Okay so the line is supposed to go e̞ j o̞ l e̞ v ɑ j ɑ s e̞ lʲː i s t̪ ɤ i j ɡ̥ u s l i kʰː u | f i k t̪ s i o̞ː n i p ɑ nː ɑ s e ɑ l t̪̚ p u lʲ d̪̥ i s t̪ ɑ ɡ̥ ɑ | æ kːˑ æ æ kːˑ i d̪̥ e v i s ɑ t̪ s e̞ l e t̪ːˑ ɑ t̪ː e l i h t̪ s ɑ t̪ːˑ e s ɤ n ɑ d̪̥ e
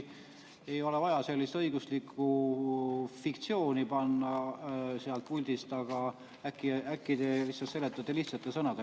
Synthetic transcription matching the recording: e̞ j o̞ l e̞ v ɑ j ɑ s e̞ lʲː i s t̪ ɤ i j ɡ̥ u s l i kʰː u | f i k t̪ s i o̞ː n i p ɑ nː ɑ s e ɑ l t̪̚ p u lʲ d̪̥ i s t̪ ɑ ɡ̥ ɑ | æ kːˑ i æ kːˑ i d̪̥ e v i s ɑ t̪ s e̞ l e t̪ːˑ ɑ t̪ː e l i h t̪ s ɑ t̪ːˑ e s ɤ n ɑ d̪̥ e